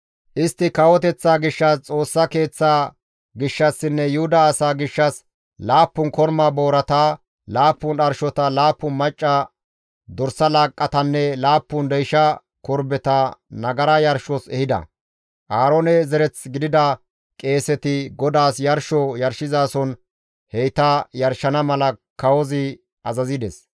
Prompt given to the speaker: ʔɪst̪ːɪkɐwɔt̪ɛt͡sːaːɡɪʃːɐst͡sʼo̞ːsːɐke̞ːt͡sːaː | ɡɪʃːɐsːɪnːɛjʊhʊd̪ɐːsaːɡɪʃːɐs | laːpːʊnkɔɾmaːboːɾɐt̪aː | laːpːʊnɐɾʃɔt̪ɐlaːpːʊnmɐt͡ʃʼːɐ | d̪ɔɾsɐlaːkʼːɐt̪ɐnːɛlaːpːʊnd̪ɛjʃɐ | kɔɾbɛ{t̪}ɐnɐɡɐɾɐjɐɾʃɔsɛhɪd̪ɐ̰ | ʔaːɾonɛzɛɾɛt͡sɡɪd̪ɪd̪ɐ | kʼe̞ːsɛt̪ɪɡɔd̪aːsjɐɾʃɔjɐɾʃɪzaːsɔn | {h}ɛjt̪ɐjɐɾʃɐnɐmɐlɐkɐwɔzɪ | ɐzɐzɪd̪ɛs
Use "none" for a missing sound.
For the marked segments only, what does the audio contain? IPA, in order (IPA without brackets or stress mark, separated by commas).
t̪, h